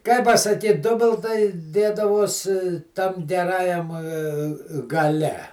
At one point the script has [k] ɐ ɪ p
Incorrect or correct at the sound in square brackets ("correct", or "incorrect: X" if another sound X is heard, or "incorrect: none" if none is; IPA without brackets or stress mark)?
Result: correct